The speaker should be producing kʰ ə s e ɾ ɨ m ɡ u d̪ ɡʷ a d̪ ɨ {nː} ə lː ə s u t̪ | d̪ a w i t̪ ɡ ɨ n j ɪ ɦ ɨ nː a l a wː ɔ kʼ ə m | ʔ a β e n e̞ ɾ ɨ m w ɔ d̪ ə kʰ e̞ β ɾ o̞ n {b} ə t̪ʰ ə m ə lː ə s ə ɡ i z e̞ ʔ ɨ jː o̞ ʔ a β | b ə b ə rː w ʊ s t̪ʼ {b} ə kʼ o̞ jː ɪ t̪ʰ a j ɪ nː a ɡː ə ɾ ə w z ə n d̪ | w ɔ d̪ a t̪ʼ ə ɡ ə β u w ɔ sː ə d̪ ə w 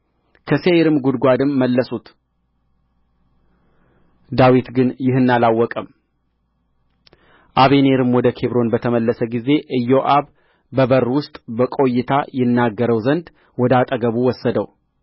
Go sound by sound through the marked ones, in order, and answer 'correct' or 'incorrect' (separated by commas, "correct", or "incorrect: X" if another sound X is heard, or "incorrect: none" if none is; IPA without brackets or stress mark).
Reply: incorrect: mː, correct, correct